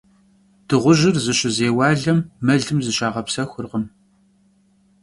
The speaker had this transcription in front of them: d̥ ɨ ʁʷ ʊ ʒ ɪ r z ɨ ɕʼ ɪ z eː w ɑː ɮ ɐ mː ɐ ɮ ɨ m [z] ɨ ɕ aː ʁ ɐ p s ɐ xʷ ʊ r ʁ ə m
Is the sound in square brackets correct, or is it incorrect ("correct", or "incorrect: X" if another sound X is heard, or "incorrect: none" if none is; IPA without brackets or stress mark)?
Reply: correct